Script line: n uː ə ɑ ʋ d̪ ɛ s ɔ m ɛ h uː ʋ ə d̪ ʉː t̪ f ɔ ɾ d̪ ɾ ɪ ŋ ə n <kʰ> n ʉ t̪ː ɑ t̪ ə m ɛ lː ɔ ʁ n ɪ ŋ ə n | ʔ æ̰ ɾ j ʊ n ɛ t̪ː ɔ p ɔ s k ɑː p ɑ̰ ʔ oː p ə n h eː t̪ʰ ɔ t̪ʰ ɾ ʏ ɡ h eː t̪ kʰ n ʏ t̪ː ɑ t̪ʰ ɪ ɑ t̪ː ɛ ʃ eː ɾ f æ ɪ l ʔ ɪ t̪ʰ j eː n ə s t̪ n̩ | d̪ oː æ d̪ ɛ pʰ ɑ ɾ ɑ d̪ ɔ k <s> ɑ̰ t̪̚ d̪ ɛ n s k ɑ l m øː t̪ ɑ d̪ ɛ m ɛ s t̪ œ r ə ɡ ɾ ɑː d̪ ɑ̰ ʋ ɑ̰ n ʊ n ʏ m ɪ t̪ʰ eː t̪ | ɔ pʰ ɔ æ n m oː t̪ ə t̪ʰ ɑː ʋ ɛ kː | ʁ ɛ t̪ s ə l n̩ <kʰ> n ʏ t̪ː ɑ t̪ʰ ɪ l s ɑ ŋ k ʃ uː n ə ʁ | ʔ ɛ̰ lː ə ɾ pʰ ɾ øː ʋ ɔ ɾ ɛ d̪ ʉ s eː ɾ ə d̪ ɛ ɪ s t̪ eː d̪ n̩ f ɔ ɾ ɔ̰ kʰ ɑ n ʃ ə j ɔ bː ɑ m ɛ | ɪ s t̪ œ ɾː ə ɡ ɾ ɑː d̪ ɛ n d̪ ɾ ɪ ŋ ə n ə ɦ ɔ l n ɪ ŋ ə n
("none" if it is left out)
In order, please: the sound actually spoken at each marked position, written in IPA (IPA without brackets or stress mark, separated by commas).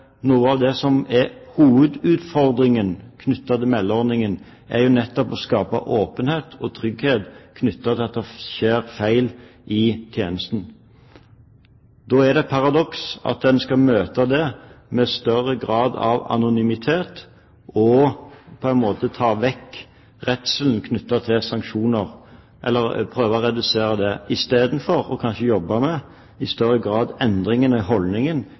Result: kʰ, s, kʰ